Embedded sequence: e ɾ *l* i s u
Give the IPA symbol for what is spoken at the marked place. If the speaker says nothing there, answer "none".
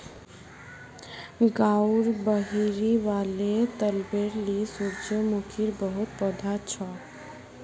l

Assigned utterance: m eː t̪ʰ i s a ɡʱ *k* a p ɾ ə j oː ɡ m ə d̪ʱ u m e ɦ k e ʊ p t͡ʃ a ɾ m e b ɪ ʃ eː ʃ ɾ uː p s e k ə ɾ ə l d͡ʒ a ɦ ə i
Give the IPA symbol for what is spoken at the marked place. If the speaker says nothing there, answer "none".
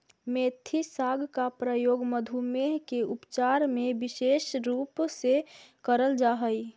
k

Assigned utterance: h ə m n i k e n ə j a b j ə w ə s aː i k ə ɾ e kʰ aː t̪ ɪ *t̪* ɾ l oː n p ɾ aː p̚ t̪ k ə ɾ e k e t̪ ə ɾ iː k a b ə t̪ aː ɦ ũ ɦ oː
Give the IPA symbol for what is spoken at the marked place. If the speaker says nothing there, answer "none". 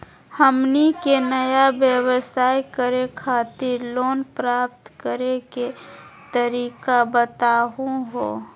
none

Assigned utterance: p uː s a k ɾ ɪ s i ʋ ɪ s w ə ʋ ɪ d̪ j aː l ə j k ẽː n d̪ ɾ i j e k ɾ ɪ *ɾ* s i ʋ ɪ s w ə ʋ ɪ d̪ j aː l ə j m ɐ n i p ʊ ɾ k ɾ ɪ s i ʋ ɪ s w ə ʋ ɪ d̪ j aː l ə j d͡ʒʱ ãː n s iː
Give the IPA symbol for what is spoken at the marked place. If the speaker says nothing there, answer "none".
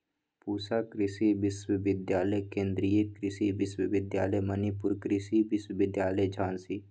none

